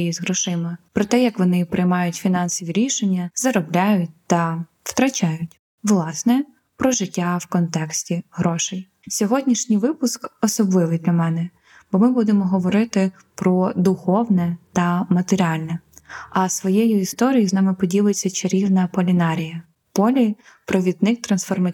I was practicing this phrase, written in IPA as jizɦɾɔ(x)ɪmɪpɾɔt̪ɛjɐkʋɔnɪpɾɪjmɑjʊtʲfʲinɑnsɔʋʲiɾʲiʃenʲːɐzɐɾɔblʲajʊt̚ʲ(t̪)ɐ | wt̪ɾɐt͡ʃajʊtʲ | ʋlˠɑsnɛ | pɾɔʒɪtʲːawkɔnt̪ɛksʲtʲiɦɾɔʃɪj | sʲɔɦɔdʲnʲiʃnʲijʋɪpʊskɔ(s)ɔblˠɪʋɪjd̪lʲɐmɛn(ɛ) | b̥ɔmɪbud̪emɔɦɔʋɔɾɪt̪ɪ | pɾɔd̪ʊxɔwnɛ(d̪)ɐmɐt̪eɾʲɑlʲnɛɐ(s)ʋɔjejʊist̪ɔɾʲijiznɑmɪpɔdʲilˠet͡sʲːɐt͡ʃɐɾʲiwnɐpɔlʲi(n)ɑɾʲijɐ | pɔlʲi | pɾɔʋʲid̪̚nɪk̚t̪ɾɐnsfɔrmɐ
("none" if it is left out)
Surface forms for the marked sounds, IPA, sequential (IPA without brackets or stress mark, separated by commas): ʃ, t̪, s, ɛ, t̪, s, n